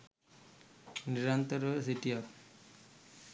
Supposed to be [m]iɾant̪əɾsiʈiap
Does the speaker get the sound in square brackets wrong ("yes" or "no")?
yes